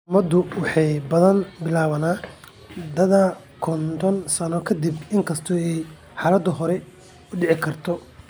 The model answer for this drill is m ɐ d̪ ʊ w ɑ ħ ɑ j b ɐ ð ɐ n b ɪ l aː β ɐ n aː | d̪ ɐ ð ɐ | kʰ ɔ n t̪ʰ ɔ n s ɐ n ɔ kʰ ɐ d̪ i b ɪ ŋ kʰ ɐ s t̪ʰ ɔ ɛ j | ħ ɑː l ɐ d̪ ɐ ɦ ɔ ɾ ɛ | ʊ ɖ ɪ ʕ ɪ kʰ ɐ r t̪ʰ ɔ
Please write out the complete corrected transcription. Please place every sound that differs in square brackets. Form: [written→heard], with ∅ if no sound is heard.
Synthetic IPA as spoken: m ɐ d̪ ʊ w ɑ ħ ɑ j b ɐ ð ɐ n b ɪ l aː β ɐ n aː | d̪ ɐ ð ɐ | kʰ ɔ n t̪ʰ ɔ n s ɐ n ɔ kʰ ɐ d̪ i b ɪ ŋ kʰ ɐ s t̪ʰ ɔ ɛ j | ħ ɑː l ɐ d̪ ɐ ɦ ɔ ɾ ɛ | ʊ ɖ ɪ ʕ ɪ kʰ ɐ r t̪ʰ ɔ